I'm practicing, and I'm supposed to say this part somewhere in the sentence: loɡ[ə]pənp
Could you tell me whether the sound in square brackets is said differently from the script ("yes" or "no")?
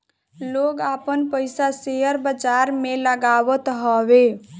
yes